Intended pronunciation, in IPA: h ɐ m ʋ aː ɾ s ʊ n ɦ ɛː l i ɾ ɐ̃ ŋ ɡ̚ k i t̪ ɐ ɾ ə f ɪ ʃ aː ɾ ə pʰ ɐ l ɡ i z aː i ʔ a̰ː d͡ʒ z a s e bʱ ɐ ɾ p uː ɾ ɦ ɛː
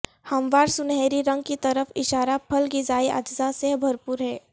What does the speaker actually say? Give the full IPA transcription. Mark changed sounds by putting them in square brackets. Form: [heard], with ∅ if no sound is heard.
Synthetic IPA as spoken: h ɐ m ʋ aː ɾ s ʊ n ɦ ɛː [ɾ] i ɾ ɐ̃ ŋ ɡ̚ k i t̪ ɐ ɾ ə f ɪ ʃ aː ɾ [a] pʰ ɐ l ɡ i z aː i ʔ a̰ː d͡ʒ z a s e bʱ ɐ ɾ p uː ɾ ɦ ɛː

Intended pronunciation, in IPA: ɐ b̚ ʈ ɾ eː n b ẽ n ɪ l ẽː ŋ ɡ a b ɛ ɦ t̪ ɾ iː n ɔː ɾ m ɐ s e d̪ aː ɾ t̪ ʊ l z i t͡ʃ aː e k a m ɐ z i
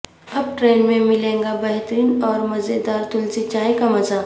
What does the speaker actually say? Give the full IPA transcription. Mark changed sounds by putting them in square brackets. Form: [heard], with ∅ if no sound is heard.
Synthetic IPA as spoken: ɐ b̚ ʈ ɾ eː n [m] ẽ [m] ɪ l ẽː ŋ ɡ a b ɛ ɦ t̪ ɾ iː n ɔː ɾ m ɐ [z] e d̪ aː ɾ t̪ ʊ l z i t͡ʃ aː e k a m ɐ z [a]

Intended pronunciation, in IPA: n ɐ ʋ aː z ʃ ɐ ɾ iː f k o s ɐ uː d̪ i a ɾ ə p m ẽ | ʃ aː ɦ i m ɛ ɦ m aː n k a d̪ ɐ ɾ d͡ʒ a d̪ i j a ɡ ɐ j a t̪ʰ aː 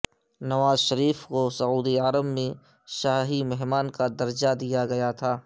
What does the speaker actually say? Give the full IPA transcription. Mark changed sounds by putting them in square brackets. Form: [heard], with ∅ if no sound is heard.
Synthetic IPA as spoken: n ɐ ʋ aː z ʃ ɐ ɾ iː f k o s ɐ uː d̪ i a ɾ ə [b] m ẽ | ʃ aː ɦ i m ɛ ɦ m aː n k a d̪ ɐ ɾ d͡ʒ a d̪ i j a ɡ ɐ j a t̪ʰ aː

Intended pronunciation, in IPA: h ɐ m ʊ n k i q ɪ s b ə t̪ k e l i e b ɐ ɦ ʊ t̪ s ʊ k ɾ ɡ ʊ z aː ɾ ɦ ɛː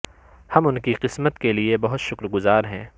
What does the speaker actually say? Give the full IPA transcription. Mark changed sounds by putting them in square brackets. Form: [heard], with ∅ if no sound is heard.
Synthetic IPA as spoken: h ɐ m ʊ n k i q ɪ s [m] ə t̪ k e l i e b ɐ ɦ ʊ t̪ [ʃ] ʊ k ɾ ɡ ʊ z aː ɾ ɦ [ɛ̃ː]

